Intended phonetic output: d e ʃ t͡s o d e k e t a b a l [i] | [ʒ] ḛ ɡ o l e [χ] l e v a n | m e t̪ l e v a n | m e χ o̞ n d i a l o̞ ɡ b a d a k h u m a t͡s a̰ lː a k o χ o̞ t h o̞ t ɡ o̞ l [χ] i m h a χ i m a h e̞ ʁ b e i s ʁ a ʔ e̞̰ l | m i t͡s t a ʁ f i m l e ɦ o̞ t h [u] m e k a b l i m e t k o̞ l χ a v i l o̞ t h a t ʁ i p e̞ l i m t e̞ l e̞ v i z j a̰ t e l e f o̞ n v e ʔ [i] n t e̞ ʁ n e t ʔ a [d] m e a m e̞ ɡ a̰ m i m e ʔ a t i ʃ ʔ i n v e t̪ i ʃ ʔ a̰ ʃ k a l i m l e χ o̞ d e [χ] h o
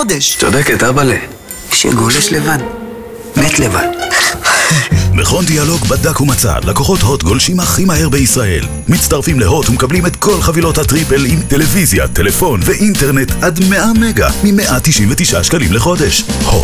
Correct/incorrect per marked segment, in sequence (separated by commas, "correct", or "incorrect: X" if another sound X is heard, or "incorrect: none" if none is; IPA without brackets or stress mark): incorrect: e, incorrect: ʃ, incorrect: ʃ, incorrect: ʃ, correct, correct, correct, incorrect: ʃ